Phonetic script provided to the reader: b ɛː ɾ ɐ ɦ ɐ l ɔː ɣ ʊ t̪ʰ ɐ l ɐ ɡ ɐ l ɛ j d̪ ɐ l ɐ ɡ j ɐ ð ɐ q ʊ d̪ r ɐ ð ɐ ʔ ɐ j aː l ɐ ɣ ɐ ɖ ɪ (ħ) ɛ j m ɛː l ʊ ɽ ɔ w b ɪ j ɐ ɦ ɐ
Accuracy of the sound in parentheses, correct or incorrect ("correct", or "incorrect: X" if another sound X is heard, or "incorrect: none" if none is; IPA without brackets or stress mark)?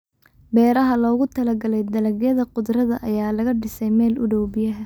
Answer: incorrect: s